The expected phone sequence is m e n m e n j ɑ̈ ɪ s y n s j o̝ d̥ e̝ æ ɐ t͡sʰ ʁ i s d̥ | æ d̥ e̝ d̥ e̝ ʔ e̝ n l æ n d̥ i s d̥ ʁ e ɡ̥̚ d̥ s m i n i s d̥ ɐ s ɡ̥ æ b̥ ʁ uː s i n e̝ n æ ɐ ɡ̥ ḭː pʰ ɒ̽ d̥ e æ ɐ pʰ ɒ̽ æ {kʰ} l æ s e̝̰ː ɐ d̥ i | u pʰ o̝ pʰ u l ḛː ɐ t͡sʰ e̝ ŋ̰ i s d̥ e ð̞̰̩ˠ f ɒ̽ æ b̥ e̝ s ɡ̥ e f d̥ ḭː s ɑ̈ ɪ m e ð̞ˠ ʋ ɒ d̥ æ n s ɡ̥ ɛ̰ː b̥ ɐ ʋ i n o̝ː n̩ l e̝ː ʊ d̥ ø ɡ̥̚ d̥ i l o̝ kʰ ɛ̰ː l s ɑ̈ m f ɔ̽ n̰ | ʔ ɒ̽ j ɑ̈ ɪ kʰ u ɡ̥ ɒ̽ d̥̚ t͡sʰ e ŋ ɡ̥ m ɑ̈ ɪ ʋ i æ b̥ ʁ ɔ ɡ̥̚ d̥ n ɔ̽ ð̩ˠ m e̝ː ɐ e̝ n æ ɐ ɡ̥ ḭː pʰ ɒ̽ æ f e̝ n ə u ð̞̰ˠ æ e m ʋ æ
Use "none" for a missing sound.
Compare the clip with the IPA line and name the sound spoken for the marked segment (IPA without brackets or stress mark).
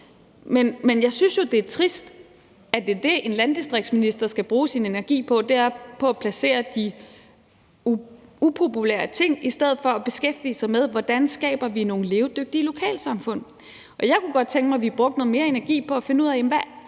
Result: pʰ